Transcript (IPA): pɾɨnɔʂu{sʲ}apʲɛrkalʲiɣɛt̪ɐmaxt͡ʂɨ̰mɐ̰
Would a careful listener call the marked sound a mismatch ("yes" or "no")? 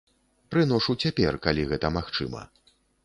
yes